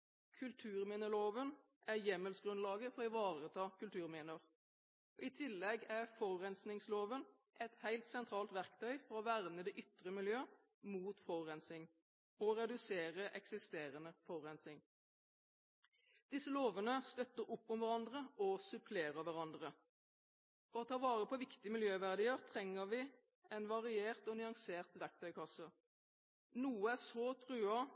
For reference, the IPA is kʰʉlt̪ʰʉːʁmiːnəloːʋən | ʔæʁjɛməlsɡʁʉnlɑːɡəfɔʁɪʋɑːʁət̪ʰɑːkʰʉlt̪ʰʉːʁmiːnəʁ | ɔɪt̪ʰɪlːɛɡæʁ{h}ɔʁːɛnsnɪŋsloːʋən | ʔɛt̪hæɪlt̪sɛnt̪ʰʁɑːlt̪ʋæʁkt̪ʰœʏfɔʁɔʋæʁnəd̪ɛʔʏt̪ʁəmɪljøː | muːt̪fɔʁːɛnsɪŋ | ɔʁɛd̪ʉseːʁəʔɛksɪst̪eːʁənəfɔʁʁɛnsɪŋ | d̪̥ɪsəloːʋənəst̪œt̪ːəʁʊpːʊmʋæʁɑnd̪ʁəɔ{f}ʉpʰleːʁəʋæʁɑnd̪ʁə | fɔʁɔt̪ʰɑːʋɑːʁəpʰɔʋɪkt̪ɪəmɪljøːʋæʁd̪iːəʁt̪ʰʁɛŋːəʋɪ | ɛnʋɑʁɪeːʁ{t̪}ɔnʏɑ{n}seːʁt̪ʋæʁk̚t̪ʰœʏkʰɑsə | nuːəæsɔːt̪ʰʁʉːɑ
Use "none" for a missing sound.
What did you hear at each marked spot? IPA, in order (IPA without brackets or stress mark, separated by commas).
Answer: f, s, t̪, ŋ